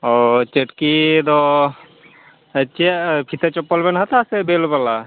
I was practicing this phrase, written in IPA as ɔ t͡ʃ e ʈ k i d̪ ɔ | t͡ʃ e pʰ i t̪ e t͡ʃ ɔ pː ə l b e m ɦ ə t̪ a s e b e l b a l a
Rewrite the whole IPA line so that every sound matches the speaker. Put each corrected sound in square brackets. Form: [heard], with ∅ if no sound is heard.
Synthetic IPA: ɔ t͡ʃ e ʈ k i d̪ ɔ | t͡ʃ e pʰ i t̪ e t͡ʃ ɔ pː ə l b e [n] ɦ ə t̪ a s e b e l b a l a